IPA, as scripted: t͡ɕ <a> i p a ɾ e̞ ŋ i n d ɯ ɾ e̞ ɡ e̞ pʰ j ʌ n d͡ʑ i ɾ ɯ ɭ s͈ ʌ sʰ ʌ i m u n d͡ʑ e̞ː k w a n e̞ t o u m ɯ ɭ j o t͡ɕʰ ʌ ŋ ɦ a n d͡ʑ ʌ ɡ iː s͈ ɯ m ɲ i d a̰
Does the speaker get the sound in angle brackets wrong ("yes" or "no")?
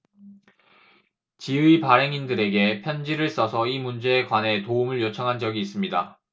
yes